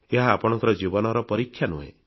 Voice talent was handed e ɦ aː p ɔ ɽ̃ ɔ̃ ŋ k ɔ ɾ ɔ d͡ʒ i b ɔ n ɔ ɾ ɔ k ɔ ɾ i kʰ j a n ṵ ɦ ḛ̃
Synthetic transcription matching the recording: e ɦ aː p ɔ ɽ̃ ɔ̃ ŋ k ɔ ɾ ɔ d͡ʒ i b ɔ n ɔ ɾ ɔ p ɔ ɾ i kʰ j a n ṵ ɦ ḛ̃

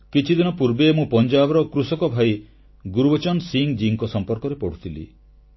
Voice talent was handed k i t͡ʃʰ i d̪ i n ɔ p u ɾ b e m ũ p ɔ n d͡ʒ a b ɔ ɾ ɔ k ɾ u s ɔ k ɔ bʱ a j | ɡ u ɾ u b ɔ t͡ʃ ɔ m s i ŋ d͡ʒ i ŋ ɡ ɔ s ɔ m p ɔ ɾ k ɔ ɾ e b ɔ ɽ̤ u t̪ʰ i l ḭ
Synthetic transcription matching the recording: k i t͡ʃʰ i d̪ i n ɔ p u ɾ b e m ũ p ɔ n d͡ʒ a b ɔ ɾ ɔ k ɾ u s ɔ k ɔ bʱ a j | ɡ u ɾ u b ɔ t͡ʃ ɔ n s i ŋ d͡ʒ i ŋ k ɔ s ɔ m p ɔ ɾ k ɔ ɾ e p ɔ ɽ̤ u t̪ʰ i l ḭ

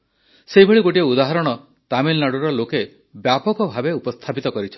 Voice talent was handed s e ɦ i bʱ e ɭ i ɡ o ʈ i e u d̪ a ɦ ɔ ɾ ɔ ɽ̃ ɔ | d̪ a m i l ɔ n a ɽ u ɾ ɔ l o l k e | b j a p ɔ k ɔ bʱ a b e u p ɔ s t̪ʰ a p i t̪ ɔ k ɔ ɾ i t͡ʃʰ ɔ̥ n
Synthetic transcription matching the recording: s e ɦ i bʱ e ɭ i ɡ o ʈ i e u d̪ a ɦ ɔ ɾ ɔ ɽ̃ ɔ | t̪ a m i l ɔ n a ɽ u ɾ ɔ l o k e | b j a p ɔ k ɔ bʱ a b e u p ɔ s t̪ʰ a p i t̪ ɔ k ɔ ɾ i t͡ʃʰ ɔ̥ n

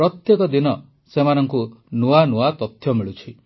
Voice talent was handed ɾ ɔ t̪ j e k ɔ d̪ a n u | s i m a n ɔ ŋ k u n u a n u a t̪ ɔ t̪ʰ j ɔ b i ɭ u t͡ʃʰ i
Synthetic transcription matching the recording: ɾ ɔ t̪ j e k ɔ d̪ i n ɔ | s e m a n ɔ ŋ k u n u a n u a t̪ ɔ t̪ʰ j ɔ m i ɭ u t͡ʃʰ i

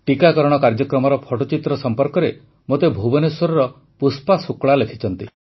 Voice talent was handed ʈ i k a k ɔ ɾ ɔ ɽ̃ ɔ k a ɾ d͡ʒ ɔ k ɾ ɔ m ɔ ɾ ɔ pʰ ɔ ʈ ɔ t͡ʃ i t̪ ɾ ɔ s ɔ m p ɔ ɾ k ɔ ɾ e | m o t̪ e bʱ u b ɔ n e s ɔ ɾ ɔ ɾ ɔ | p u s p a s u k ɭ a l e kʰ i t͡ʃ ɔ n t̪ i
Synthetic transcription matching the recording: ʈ i k a k ɔ ɾ ɔ ɽ̃ ɔ k a ɾ d͡ʒ ɔ k ɾ ɔ m ɔ ɾ ɔ pʰ ɔ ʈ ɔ t͡ʃ i t̪ ɾ ɔ s ɔ m p ɔ ɾ k ɔ ɾ e | m o t̪ e bʱ u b ɔ n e s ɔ ɾ ɔ ɾ ɔ | p u s p a s u k ɭ a l e kʰ i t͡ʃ ɔ n t̪ i

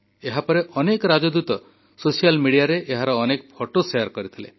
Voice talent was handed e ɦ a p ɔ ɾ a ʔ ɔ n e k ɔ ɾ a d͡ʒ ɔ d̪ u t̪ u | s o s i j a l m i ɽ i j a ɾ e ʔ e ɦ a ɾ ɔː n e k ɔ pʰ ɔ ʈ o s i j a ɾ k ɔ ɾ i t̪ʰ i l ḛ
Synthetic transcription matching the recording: e ɦ a p ɔ ɾ e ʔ ɔ n e k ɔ ɾ a d͡ʒ ɔ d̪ u t̪ ɔ | s o s i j a l m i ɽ i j a ɾ e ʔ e ɦ a ɾ ɔː n e k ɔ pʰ ɔ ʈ o s e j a ɾ k ɔ ɾ i t̪ʰ i l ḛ

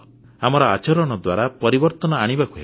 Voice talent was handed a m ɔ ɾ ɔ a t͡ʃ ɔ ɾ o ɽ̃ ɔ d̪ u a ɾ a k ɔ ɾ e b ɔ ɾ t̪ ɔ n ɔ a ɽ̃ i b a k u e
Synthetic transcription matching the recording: a m ɔ ɾ ɔ a t͡ʃ ɔ ɾ ɔ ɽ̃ ɔ d̪ w a ɾ a p ɔ ɾ i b ɔ ɾ t̪ ɔ n ɔ a ɽ̃ i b a k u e

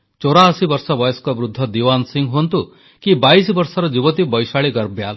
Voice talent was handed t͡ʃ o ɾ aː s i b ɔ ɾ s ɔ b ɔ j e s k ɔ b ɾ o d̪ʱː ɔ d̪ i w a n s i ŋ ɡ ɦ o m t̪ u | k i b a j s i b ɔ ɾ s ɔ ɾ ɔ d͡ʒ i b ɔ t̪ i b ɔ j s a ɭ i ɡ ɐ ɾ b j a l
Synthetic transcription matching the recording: t͡ʃ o ɾ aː s i b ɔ ɾ s ɔ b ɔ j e s k ɔ b ɾ u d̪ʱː ɔ d̪ i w a n s i ŋ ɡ ɦ o n t̪ u | k i b a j s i b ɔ ɾ s ɔ ɾ ɔ d͡ʒ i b ɔ t̪ i b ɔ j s a ɭ i ɡ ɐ ɾ b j a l

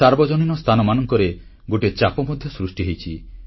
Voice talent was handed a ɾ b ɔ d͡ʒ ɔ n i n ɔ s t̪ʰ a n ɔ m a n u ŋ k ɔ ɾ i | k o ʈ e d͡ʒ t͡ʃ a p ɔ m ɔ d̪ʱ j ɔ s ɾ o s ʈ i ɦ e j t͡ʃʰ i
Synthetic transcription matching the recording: a ɾ b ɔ d͡ʒ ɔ n i n ɔ s t̪ʰ a n ɔ m a n ɔ ŋ k ɔ ɾ e | ɡ o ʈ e t͡ʃ a p ɔ m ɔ d̪ʱ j ɔ s ɾ u s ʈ i ɦ e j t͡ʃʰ i

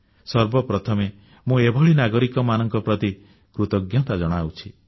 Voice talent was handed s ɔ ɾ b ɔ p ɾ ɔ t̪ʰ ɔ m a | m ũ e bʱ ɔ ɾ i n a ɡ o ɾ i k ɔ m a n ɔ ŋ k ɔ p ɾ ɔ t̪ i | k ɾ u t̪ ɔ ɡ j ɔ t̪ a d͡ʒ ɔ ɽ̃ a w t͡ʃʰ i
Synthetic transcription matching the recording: s ɔ ɾ b ɔ p ɾ ɔ t̪ʰ ɔ m e | m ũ e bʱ ɔ ɭ i n a ɡ ɔ ɾ i k ɔ m a n ɔ ŋ k ɔ p ɾ ɔ t̪ i | k ɾ u t̪ ɔ ɡ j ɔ t̪ a d͡ʒ ɔ ɽ̃ a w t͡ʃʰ i

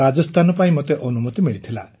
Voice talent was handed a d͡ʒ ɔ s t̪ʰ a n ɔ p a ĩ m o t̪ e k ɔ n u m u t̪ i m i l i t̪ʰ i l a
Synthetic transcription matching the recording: a d͡ʒ ɔ s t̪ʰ a n ɔ p a ĩ m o t̪ e ʔ ɔ n u m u t̪ i m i ɭ i t̪ʰ i l a

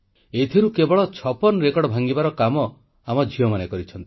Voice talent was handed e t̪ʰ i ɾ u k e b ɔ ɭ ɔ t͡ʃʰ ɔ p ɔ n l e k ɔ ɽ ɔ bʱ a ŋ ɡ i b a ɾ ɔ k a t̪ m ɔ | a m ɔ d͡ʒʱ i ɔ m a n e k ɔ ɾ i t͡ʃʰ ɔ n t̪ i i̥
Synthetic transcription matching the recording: e t̪ʰ i ɾ u k e b ɔ ɭ ɔ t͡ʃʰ ɔ p ɔ n ɾ e k ɔ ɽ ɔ bʱ a ŋ ɡ i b a ɾ ɔ k a m ɔ | a m ɔ d͡ʒʱ i ɔ m a n e k ɔ ɾ i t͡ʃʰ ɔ n t̪ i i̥

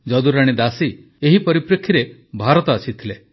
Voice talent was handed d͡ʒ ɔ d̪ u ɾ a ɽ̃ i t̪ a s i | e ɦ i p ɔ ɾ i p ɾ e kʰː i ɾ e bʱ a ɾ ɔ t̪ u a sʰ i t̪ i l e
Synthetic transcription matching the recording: d͡ʒ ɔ d̪ u ɾ a ɽ̃ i d̪ a s i | e ɦ i p ɔ ɾ i p ɾ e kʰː i ɾ e bʱ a ɾ ɔ t̪ ɔ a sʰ i t̪ʰ i l e

